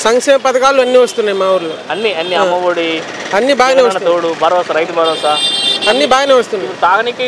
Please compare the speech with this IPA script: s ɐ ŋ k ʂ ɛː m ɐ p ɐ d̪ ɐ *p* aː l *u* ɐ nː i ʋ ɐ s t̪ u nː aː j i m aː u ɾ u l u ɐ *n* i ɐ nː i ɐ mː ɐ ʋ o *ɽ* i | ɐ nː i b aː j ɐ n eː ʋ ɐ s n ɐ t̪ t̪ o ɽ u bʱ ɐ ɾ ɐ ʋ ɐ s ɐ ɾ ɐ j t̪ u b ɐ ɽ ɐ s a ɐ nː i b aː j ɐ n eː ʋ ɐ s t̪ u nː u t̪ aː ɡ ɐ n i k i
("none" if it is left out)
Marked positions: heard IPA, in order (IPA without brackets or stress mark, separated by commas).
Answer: k, u, nː, ɽ